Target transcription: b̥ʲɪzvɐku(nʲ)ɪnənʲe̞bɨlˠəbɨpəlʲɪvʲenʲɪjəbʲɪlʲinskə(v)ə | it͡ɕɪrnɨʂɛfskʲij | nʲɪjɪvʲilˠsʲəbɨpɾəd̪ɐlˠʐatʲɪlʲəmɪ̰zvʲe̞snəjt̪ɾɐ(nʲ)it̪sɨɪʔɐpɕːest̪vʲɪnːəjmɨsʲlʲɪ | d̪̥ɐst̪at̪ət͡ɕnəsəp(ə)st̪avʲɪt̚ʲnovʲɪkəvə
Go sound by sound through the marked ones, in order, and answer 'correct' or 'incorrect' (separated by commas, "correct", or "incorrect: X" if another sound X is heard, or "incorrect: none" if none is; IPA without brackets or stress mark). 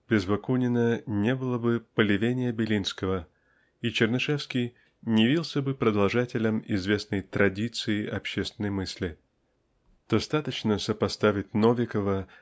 correct, correct, incorrect: dʲ, incorrect: ɐ